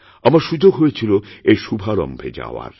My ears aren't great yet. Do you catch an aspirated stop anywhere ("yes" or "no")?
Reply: yes